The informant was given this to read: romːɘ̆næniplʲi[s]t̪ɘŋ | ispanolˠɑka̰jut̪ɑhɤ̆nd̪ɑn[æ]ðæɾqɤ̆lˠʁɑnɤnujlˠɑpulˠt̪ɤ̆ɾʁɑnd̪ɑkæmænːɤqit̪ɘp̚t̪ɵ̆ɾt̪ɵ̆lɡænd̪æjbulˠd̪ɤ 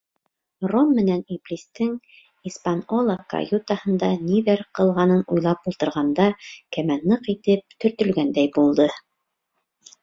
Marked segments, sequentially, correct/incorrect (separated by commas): correct, incorrect